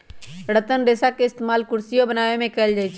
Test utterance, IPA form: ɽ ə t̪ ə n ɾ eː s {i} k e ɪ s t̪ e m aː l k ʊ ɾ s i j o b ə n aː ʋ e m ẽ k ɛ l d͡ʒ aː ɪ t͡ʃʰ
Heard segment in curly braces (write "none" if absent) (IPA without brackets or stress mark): a